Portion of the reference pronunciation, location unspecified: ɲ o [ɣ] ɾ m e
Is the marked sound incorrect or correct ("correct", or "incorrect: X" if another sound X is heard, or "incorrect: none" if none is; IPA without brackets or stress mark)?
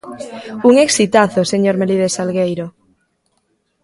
incorrect: none